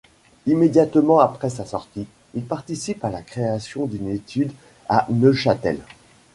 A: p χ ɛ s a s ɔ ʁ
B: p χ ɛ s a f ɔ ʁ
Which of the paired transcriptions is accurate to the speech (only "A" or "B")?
A